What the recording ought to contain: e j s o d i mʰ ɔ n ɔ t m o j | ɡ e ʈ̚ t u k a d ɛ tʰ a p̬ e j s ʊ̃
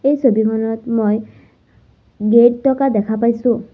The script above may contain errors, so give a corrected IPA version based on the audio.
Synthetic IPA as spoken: e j s o b i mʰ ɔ n ɔ t m o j | ɡ e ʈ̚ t ɔ k a d ɛ kʰ a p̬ a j s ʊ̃

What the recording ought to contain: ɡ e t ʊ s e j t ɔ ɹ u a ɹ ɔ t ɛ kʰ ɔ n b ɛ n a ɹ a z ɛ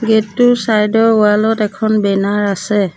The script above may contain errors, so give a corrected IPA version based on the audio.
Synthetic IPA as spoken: ɡ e t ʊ s a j d ɔ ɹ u a l ɔ t ɛ kʰ ɔ n b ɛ n a ɹ a s ɛ

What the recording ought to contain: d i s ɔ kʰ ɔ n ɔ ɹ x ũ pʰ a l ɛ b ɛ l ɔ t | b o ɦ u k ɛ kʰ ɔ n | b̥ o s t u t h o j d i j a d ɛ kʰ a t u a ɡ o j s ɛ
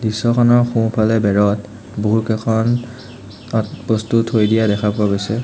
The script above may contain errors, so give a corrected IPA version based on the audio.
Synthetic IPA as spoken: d i s ɔ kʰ ɔ n ɔ ɹ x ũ pʰ a l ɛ b ɛ ɹ ɔ t | b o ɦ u k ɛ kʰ ɔ n | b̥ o s t u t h o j d i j a d ɛ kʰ a p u a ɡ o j s ɛ

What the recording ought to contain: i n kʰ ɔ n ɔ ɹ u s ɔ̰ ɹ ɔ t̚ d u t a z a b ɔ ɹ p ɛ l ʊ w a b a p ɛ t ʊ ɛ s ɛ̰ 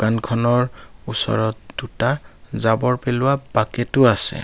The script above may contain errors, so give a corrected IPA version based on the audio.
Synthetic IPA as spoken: a n kʰ ɔ n ɔ ɹ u s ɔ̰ ɹ ɔ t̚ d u t a z a b ɔ ɹ p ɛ l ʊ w a b a k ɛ t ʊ a s ɛ̰

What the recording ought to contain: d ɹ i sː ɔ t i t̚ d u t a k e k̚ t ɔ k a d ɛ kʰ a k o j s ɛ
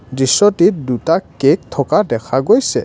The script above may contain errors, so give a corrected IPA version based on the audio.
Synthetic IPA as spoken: d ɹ i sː ɔ t i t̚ d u t a k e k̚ tʰ ɔ k a d ɛ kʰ a ɡ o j s ɛ

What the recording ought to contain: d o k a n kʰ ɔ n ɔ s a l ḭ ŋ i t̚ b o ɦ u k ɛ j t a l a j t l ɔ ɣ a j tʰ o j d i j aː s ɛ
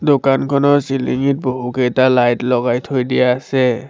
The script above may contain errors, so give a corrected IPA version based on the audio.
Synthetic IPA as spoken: d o k a n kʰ ɔ n ɔ s i l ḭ ŋ i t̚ b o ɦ u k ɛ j t a l a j t l ɔ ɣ a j tʰ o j d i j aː s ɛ

